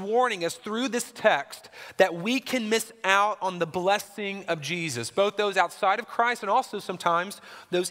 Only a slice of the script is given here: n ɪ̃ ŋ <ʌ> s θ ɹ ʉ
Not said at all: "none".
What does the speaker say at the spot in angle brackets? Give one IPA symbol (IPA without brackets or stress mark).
ʌ